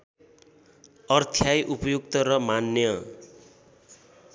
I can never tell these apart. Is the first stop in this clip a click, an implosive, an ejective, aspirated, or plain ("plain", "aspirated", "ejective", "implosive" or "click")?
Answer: aspirated